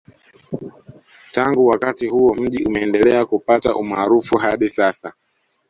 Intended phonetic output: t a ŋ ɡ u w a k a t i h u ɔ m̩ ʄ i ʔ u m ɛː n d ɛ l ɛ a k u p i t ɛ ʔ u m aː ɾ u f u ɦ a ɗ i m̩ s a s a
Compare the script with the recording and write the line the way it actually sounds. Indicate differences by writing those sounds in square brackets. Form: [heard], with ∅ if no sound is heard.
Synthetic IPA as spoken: t a ŋ ɡ u w a k a t i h u ɔ m̩ ʄ i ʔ u m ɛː n d ɛ l ɛ a k u p [a] t [a] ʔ u m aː ɾ u f u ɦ a ɗ i [∅] s a s a